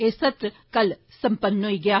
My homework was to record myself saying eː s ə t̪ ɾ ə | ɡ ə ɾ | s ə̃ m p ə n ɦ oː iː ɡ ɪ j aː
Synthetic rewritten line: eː s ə t̪ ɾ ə | k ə l | s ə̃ m p ə n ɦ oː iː ɡ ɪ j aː